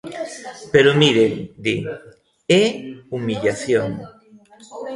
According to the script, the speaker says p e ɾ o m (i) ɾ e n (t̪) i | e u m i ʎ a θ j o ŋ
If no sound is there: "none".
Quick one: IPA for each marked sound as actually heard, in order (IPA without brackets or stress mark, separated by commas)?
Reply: i, d̪